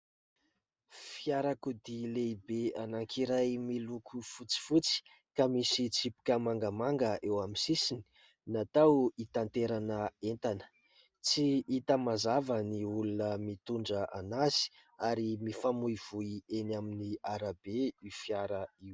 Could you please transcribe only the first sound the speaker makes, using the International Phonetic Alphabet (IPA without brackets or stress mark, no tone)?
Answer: f